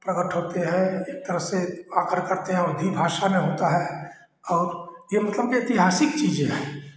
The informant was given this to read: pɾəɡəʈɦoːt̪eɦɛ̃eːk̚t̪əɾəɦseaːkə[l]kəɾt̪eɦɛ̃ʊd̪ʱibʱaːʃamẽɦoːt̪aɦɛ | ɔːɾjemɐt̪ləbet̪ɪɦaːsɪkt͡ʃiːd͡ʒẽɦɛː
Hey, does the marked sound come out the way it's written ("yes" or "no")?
no